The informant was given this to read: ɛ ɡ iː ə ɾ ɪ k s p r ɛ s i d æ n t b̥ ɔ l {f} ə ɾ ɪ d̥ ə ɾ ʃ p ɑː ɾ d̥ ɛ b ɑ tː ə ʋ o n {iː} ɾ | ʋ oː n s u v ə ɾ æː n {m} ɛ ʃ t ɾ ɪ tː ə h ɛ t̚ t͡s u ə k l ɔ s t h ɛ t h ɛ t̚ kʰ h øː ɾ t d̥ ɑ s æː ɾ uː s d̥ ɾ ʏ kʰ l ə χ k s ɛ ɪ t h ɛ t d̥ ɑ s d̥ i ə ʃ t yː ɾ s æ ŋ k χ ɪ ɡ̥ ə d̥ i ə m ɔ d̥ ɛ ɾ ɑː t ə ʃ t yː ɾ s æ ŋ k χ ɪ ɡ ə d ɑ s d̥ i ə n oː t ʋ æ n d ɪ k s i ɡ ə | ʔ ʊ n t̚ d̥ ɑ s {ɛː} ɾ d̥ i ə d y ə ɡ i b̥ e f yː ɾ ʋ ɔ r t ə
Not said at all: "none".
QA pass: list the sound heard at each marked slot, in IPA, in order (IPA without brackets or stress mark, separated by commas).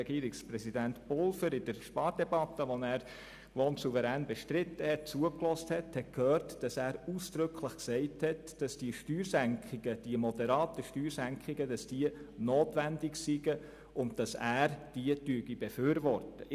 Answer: f, æː, b, æː